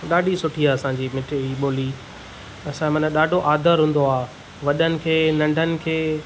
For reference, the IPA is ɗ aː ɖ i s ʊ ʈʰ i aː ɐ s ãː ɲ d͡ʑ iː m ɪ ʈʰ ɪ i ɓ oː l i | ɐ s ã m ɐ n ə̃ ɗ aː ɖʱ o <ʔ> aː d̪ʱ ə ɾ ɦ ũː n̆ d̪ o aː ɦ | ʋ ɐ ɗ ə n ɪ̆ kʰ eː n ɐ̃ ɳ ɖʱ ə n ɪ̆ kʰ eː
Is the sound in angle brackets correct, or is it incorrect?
correct